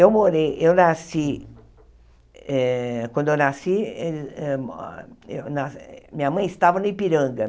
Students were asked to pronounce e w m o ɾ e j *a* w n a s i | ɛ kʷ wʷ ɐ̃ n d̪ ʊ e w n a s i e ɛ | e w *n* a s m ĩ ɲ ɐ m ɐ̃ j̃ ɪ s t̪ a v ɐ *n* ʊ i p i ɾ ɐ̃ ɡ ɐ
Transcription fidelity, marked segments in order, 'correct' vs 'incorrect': incorrect, correct, correct

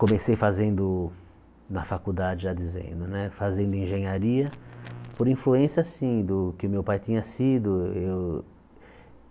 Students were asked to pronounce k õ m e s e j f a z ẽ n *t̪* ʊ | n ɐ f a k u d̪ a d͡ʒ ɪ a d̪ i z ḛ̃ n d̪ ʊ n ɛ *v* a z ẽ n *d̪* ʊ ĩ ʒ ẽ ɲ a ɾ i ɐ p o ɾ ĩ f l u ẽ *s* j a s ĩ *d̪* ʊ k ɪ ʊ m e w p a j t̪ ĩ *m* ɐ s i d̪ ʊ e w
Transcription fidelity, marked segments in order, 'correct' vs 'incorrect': incorrect, incorrect, correct, correct, correct, incorrect

